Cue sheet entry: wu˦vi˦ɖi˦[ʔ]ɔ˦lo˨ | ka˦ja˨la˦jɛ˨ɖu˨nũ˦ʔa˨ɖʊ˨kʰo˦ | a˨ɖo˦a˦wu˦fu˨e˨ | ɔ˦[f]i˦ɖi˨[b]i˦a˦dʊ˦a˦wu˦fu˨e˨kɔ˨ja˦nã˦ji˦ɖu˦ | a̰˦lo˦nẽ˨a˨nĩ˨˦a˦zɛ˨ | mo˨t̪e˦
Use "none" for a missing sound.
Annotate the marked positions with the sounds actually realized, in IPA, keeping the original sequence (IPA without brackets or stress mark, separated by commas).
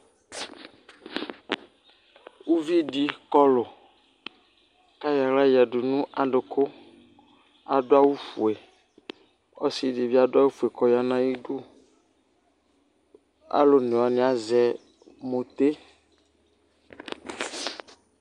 k, s, v